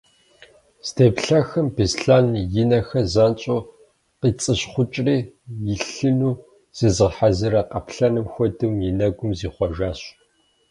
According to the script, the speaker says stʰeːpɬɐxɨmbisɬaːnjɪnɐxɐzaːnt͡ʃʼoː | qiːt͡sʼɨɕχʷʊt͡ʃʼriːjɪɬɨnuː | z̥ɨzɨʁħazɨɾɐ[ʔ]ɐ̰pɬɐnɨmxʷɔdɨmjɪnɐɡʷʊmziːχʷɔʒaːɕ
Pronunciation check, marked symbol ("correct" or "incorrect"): incorrect